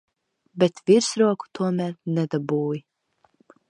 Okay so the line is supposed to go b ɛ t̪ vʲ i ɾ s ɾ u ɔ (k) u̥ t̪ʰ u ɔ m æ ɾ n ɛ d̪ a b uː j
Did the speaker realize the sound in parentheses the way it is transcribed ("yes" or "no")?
yes